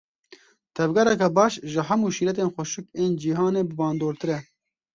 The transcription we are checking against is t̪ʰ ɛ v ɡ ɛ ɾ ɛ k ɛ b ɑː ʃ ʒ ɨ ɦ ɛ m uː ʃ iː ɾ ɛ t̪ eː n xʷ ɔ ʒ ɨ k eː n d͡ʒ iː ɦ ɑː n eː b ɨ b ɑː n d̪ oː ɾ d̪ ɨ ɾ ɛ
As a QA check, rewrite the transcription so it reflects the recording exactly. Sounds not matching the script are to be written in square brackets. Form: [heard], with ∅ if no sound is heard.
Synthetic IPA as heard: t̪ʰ ɛ v ɡ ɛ ɾ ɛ k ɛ b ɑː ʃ ʒ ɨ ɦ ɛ m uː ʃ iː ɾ ɛ t̪ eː n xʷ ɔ [ʃ] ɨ k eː n d͡ʒ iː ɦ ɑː n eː b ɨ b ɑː n d̪ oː ɾ [t̪] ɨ ɾ ɛ